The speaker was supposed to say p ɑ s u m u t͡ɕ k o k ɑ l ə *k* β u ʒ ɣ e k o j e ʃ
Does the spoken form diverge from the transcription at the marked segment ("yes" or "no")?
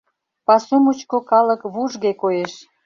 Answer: no